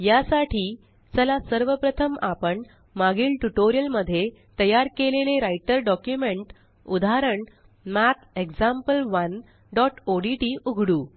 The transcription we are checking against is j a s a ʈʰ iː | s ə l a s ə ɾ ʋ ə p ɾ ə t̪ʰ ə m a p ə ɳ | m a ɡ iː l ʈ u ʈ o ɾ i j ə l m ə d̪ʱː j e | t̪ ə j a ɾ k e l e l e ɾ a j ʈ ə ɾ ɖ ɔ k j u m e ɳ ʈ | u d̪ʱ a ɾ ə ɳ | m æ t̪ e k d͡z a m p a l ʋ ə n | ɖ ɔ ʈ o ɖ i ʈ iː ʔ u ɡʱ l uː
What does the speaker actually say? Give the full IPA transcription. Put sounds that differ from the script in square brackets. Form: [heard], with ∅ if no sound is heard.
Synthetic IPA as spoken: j a s a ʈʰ iː | [t͡s] ə l a s ə ɾ ʋ ə p ɾ ə t̪ʰ ə m a p ə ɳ | m a ɡ iː l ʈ u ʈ o ɾ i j ə l m ə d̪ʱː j e | t̪ ə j a ɾ k e l e l e ɾ a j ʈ ə ɾ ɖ ɔ k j u m e ɳ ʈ | u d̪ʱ a ɾ ə ɳ | m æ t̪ e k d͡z a m p [ə] l ʋ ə n | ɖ ɔ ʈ o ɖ i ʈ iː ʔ u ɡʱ [ɽ] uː